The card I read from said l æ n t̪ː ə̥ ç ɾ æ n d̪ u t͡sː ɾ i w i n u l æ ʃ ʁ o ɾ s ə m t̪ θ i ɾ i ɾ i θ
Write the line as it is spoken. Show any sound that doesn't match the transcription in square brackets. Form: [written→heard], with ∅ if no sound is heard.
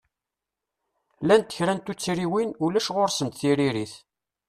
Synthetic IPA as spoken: l æ n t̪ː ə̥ ç ɾ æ n [d̪→t̪] u t͡sː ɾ i w i n u l æ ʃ ʁ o ɾ s ə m t̪ θ i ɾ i ɾ i θ